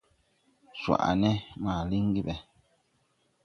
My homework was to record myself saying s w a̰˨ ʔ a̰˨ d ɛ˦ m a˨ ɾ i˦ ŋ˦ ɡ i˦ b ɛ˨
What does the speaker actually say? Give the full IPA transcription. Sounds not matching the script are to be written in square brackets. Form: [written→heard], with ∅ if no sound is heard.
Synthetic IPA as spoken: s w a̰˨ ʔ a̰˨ [d→n] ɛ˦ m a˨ [ɾ→l] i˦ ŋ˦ ɡ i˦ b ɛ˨